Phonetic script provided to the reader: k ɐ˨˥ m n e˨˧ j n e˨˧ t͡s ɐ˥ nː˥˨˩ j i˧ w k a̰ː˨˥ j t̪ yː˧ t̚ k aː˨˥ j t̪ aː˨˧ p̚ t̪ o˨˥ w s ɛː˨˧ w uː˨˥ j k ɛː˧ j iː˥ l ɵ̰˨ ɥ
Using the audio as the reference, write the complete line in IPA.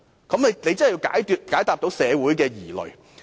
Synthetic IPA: k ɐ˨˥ m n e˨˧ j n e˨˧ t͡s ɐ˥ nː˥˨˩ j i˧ w k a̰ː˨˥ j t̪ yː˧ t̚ k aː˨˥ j t̪ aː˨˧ p̚ t̪ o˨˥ w s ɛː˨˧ w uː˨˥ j k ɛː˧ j iː˨˩ l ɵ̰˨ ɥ